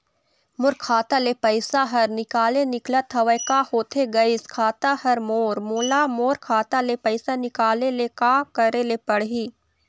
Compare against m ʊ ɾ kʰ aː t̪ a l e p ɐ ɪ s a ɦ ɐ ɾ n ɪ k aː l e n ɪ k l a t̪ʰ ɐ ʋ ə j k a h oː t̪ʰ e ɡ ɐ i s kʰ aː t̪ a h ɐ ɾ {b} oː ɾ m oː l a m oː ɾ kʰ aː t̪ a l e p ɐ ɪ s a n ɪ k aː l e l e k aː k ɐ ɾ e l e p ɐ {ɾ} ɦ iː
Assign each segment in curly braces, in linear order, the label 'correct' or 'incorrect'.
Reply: incorrect: m, incorrect: ɽ

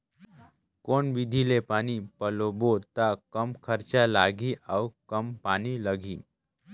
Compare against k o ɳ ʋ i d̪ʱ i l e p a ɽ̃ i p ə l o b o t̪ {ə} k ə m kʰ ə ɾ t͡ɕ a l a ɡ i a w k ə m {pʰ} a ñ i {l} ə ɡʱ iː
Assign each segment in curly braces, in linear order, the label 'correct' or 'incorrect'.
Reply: incorrect: a, incorrect: p, correct

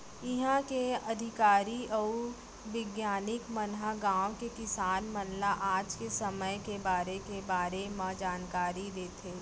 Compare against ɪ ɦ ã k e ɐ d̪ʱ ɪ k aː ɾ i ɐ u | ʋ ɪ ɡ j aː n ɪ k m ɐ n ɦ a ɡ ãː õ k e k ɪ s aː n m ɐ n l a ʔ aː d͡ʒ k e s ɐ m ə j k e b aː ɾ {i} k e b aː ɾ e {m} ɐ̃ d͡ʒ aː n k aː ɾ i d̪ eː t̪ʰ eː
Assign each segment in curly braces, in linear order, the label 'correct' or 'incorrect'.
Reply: incorrect: e, correct

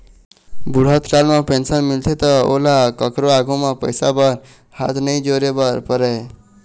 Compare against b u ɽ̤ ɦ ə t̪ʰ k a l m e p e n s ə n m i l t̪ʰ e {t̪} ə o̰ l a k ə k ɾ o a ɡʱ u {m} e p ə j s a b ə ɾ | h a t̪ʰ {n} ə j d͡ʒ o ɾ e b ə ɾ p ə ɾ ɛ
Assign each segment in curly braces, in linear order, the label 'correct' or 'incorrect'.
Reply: correct, correct, correct

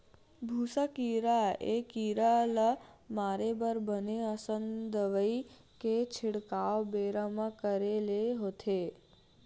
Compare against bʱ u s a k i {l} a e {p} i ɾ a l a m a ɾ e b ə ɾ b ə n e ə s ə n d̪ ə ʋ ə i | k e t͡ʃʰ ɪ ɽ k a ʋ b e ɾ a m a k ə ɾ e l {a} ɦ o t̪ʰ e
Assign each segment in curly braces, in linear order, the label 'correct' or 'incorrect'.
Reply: incorrect: ɾ, incorrect: k, incorrect: e

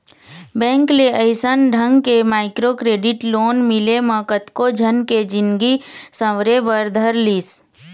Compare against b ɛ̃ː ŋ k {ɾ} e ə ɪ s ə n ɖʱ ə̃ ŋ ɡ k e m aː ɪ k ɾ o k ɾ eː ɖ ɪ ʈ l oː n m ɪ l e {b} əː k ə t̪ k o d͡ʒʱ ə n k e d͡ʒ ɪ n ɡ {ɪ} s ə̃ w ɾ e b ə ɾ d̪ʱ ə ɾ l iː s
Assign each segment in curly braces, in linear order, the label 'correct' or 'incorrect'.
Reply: incorrect: l, incorrect: m, incorrect: i

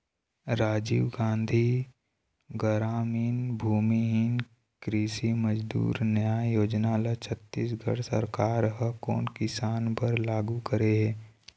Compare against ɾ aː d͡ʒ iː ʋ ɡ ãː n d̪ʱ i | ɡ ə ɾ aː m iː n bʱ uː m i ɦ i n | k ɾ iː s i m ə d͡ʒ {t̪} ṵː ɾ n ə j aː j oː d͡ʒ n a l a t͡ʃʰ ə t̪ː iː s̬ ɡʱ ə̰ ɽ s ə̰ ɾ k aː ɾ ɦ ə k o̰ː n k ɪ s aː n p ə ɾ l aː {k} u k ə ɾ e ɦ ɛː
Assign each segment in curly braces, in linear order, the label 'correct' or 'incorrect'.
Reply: incorrect: d̪, incorrect: ɡ

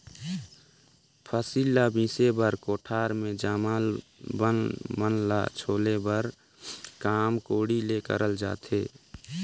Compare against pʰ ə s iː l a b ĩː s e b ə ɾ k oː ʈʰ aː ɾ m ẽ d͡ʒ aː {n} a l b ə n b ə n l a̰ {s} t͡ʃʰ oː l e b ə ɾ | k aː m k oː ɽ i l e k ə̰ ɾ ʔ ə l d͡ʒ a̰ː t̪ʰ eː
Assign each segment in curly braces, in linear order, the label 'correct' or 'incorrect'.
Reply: incorrect: m, incorrect: none

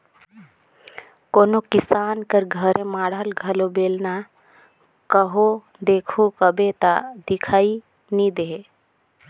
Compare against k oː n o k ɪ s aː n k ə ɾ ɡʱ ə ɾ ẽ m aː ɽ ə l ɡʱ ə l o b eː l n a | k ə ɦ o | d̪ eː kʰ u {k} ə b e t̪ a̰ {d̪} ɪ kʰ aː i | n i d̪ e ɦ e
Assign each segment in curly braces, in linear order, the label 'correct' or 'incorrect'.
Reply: correct, correct

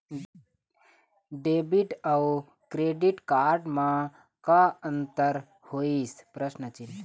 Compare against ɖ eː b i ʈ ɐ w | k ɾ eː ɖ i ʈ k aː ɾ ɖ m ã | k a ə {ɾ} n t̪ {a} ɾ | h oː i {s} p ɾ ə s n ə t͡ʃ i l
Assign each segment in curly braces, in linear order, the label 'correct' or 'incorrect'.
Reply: incorrect: none, incorrect: ə, correct

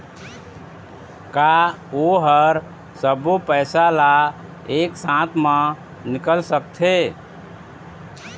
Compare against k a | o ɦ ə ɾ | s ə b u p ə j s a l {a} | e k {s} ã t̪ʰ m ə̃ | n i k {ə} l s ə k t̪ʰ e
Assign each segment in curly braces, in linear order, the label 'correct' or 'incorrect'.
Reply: correct, correct, correct

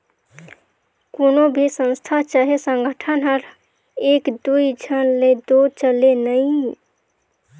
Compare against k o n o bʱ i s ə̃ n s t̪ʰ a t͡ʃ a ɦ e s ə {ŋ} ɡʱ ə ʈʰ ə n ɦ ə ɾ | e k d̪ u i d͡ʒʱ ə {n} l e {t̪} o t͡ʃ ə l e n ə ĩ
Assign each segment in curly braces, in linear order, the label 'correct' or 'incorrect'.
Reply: correct, correct, incorrect: d̪

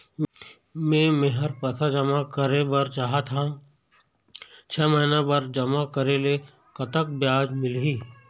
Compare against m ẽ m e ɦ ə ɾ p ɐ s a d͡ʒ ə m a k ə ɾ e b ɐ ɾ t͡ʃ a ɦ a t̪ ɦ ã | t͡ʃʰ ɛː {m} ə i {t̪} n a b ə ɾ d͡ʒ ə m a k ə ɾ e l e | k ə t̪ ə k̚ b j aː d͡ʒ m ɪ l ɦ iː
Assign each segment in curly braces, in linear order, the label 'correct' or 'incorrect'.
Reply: correct, incorrect: none

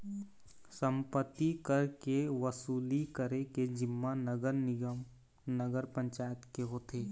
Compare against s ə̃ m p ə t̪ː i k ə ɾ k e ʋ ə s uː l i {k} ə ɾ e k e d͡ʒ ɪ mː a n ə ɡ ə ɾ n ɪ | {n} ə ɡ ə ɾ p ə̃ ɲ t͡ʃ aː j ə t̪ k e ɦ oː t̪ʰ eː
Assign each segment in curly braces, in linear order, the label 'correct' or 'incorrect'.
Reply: correct, correct

